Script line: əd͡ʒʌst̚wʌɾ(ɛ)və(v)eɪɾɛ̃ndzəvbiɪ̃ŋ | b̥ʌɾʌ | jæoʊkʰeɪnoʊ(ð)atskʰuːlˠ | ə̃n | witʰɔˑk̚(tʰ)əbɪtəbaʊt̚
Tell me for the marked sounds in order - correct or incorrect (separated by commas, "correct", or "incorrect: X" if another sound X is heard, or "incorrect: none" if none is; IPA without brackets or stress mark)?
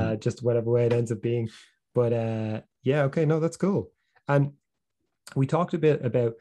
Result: correct, incorrect: w, correct, incorrect: t